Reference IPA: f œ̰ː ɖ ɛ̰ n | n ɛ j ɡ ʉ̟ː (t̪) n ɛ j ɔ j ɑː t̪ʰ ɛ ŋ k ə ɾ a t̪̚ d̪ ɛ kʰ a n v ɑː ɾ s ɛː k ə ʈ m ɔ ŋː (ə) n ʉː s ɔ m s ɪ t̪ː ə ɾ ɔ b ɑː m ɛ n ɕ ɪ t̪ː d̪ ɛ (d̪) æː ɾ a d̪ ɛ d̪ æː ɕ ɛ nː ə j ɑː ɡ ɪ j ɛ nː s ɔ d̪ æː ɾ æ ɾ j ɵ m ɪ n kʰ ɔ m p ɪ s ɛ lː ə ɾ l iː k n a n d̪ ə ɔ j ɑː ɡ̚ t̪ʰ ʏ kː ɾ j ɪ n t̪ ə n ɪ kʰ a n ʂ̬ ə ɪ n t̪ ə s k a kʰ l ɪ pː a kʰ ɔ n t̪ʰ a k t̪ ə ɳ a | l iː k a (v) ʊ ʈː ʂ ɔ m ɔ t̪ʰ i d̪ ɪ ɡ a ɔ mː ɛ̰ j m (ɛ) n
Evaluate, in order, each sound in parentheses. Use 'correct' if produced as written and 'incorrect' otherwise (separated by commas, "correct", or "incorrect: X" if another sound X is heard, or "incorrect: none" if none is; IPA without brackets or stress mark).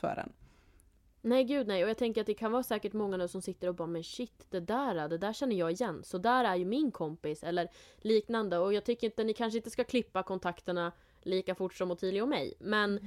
incorrect: d̪, incorrect: a, correct, incorrect: f, correct